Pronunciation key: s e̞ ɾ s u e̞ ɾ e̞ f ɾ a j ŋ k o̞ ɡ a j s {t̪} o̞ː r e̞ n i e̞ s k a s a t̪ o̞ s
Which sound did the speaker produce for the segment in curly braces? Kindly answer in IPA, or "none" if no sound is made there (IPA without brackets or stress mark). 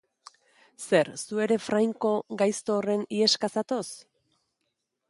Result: t̪